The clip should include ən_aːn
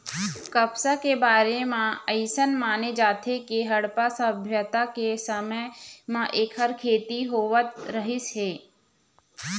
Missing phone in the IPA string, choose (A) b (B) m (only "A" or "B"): B